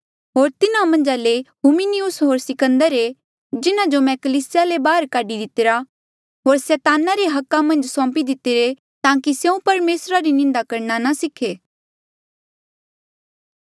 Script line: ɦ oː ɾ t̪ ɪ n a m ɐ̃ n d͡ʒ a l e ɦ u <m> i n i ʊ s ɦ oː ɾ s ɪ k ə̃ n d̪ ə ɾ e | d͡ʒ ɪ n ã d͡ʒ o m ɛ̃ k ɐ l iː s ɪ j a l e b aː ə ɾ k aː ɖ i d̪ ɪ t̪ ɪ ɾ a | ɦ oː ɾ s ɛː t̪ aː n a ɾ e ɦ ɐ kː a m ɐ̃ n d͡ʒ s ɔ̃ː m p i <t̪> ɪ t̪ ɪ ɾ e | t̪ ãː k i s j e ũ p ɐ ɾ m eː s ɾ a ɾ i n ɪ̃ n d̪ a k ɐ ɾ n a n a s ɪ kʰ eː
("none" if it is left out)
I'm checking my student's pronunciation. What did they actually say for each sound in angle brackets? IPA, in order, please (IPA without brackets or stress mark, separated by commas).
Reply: m, d̪